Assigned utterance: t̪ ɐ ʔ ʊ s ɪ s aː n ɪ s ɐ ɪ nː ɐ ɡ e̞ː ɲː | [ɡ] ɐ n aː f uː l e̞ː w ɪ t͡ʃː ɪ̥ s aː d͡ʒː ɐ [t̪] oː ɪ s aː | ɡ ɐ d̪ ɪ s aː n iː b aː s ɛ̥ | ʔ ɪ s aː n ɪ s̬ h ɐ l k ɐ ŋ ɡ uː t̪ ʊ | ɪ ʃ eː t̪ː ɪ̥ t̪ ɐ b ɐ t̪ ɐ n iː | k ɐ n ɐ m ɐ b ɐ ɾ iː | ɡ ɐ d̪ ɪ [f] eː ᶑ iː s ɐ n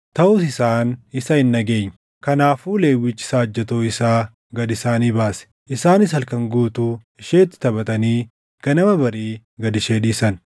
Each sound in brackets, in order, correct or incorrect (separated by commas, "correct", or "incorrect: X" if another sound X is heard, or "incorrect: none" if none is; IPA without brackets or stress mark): incorrect: k, correct, incorrect: ʃ